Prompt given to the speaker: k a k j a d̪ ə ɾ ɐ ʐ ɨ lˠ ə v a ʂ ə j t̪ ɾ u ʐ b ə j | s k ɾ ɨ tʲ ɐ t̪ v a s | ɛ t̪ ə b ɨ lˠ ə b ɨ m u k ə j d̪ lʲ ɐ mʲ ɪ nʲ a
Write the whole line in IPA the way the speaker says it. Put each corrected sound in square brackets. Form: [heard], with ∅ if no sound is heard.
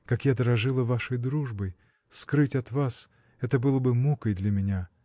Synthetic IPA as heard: k a k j a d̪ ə ɾ ɐ ʐ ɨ lˠ ə v a ʂ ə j [d̪] ɾ u ʐ b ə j | s k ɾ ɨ tʲ ɐ t̪ v a s | ɛ t̪ ə b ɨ lˠ ə b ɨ m u k ə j d̪ lʲ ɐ mʲ ɪ nʲ a